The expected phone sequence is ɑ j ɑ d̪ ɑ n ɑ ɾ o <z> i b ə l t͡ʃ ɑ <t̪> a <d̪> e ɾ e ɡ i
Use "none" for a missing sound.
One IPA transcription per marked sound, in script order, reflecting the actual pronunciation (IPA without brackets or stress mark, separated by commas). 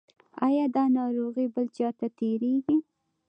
ɣ, t̪, t̪